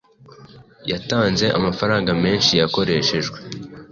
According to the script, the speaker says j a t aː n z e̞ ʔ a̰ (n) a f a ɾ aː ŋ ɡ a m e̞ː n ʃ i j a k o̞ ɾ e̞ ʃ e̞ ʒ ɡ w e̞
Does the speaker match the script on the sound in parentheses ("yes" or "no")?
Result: no